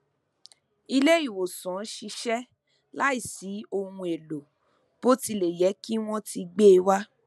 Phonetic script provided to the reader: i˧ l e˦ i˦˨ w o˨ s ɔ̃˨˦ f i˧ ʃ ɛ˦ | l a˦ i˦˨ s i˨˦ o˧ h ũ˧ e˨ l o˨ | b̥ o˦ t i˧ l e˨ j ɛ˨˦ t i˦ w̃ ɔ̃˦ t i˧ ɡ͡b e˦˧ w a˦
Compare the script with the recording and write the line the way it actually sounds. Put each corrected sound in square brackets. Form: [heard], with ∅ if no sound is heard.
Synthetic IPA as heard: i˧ l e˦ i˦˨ w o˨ s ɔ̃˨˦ [ʃ] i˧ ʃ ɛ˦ | l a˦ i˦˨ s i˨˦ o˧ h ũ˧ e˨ l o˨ | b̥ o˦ t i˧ l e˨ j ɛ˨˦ [k] i˦ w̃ ɔ̃˦ t i˧ ɡ͡b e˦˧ w a˦